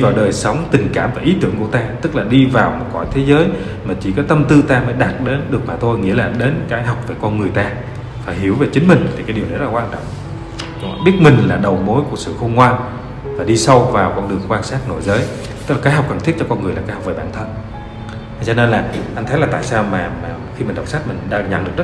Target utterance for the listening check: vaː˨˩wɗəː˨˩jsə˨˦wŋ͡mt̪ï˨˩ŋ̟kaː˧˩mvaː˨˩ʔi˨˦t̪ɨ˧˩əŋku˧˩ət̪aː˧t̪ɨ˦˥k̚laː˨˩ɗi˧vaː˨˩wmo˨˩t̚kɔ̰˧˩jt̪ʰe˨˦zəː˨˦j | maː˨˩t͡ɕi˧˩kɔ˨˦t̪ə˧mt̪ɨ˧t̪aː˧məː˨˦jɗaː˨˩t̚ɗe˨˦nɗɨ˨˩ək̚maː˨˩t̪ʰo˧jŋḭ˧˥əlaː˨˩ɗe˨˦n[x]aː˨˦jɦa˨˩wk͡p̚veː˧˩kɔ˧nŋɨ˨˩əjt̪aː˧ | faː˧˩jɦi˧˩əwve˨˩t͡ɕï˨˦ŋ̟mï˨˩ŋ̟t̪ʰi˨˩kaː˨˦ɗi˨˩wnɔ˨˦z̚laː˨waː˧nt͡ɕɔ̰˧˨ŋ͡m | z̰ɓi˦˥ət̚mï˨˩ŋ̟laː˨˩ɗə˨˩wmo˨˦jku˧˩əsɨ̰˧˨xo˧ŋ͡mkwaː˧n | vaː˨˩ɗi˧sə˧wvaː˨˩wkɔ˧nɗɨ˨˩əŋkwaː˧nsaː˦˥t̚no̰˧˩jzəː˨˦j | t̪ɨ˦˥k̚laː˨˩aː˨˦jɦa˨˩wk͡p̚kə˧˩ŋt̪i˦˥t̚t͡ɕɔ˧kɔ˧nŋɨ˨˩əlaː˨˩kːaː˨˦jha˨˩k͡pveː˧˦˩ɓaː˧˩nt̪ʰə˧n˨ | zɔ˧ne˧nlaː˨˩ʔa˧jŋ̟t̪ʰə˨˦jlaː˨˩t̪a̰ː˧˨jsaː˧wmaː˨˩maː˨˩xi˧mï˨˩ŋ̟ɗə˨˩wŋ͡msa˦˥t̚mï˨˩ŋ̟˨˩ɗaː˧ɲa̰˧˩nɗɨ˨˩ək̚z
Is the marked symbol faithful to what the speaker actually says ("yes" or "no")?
no